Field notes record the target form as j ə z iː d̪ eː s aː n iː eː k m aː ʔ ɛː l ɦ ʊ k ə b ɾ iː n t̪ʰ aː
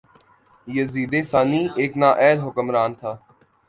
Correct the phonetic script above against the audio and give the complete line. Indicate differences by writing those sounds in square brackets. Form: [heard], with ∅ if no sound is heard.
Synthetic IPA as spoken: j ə z iː d̪ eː s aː n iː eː k [n] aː ʔ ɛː l ɦ ʊ k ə [m] ɾ [aː] n t̪ʰ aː